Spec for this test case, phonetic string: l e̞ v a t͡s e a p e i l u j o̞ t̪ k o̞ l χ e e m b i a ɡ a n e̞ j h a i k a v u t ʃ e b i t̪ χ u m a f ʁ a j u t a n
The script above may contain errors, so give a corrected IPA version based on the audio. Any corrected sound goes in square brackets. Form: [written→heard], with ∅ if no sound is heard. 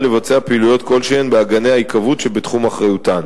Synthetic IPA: l e̞ v a t͡s e a p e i l u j o̞ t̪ k o̞ l [χ→ʃ] e e [m→n] b [i→e] a ɡ a n e̞ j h a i k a v u t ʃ e b [i→e] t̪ χ u m a [f→χ] ʁ a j u t a n

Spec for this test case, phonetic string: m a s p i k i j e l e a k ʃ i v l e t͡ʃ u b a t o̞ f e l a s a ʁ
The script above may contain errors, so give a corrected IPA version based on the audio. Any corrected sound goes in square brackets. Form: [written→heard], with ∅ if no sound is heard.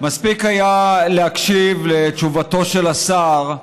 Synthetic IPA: m a s p i k [i→a] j [e→a] l e a k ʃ i v l e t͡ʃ u [b→v] a t o̞ [f→ʃ] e l a s a ʁ

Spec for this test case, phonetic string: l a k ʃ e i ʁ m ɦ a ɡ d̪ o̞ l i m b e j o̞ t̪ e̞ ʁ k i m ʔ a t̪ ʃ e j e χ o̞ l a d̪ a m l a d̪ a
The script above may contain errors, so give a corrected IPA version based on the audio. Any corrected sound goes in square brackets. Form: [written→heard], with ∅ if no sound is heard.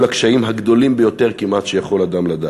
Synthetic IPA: l a k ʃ [e→a] i [ʁ→∅] m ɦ a ɡ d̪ o̞ l i m b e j o̞ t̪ e̞ ʁ k i m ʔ a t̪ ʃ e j [e→a] χ o̞ l a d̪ a m l a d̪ a

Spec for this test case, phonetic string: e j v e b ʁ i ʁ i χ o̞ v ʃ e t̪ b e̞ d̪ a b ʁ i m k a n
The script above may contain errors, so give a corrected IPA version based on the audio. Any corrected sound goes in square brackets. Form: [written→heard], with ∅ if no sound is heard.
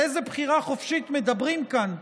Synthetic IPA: e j [v→z] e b [ʁ→χ] i ʁ [i→a] χ o̞ [v→f] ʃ [e→i] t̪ [b→m] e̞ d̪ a b ʁ i m k a n

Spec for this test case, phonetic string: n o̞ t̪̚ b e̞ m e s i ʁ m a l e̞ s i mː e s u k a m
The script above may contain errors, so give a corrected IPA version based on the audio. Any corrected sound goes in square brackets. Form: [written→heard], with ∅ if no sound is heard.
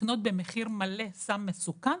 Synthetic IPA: n o̞ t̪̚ b e̞ m e [s→χ] i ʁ m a l e̞ s [i→a] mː e s u k a [m→n]

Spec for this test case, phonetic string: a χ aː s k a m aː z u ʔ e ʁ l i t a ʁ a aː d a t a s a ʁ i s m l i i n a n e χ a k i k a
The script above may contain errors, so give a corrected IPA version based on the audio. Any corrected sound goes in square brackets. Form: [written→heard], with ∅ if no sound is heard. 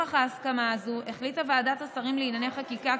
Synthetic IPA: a χ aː s k a m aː z u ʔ e [ʁ→χ] l i t a [ʁ→v] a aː d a t a s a ʁ i [s→∅] m l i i n a n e χ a k i k a

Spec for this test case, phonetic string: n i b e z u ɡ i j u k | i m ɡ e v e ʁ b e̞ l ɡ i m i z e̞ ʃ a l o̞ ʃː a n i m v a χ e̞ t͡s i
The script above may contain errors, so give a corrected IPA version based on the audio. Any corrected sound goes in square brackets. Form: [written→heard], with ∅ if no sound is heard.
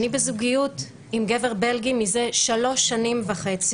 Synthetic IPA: n i b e z u ɡ i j u [k→t] | i m ɡ e v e ʁ b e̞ l ɡ i m i z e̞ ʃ a l o̞ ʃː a n i m v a χ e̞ t͡s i

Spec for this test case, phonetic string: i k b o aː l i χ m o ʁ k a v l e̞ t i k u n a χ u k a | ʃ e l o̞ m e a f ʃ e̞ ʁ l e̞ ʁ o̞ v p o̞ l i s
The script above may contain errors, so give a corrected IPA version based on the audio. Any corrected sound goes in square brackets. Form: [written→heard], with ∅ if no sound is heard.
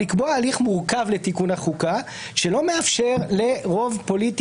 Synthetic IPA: i k b o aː l i χ m [o→u] ʁ k a v l e̞ t i k u n a χ u k a | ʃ e l o̞ m e a f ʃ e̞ ʁ l e̞ ʁ o̞ v p o̞ l i [s→t]

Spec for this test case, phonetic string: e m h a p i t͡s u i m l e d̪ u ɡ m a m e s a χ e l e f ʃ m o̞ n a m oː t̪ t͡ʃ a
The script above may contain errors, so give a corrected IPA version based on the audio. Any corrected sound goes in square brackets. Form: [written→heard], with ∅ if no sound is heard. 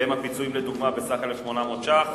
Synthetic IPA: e m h a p i t͡s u i m l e d̪ u ɡ m a [m→b] e s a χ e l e f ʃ m o̞ n a m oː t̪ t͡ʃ a

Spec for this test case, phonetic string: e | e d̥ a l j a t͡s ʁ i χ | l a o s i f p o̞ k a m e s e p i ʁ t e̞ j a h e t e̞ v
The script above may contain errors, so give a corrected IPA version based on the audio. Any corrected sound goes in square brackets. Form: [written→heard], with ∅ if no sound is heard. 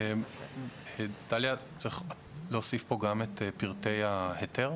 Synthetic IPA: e | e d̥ a l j a t͡s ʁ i χ | l [a→e] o s i f p o̞ [k→ɡ] a m e [s→t] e p i ʁ t e̞ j a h e t e̞ [v→ʁ]

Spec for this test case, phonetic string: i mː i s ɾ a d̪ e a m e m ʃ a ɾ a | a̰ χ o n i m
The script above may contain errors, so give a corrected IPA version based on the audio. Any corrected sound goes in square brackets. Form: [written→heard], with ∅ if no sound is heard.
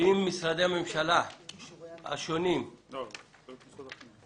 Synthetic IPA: i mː i s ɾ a d̪ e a m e m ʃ a [ɾ→l] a | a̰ [χ→ʃ] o n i m

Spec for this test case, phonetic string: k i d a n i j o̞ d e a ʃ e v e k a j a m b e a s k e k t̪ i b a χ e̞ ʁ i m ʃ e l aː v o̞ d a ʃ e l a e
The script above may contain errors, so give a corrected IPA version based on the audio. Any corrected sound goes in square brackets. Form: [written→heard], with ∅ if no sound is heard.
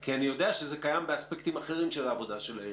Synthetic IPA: k i [d→∅] a n i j o̞ d e a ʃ e [v→z] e k a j a m b e a s [k→p] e k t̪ i [b→m] a χ e̞ ʁ i m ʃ e l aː v o̞ d a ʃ e l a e

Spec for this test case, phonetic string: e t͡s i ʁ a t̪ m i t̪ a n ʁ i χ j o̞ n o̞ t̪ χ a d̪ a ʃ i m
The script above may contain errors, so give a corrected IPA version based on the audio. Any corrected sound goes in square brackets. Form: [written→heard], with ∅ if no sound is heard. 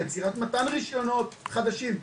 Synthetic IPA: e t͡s i ʁ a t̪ m [i→a] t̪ a n ʁ i [χ→ʃ] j o̞ n o̞ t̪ χ a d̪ a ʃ i m

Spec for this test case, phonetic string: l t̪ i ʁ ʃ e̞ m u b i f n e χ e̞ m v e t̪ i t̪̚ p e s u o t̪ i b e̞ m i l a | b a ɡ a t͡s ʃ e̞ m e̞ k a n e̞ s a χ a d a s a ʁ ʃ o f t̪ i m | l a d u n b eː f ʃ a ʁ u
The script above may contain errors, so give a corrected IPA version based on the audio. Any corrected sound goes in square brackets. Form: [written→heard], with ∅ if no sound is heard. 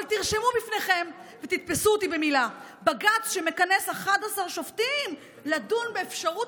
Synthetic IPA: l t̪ i ʁ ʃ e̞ m u b i f n e χ e̞ m v e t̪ i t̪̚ p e s u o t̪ i b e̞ m i l a | b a ɡ a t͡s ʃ e̞ m e̞ k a n e̞ s a χ a d a s a ʁ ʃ o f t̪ i m | l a d u n b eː f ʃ a ʁ u

